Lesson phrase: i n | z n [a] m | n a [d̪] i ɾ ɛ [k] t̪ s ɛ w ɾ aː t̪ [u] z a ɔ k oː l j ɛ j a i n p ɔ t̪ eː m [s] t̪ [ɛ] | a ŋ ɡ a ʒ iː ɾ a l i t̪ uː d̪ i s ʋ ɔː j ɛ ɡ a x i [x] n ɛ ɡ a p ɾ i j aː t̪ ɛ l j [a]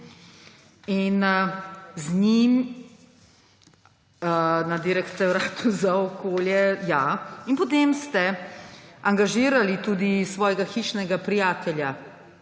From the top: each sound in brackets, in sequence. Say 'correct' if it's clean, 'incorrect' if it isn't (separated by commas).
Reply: incorrect, correct, correct, correct, correct, correct, incorrect, correct